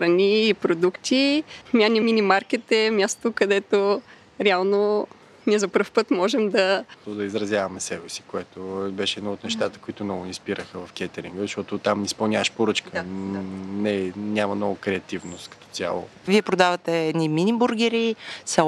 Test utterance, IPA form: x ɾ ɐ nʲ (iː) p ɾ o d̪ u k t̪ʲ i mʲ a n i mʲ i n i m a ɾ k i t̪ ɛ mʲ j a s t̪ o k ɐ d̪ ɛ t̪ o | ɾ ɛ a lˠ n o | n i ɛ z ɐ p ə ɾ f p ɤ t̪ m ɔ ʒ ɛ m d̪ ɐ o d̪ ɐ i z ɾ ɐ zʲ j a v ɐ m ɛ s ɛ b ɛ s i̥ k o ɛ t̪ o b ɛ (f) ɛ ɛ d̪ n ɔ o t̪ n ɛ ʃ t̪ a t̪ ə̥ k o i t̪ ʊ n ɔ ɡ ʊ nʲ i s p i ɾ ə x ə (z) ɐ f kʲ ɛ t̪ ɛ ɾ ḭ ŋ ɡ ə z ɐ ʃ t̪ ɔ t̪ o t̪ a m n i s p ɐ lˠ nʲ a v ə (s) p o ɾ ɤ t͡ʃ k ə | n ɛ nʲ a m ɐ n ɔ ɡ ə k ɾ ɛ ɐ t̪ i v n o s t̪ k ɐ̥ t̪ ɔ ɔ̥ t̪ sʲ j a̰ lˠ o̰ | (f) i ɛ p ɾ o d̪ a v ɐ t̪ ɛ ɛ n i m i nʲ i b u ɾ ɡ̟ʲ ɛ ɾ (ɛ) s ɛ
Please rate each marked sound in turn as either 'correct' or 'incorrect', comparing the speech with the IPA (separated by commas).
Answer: correct, incorrect, incorrect, incorrect, incorrect, incorrect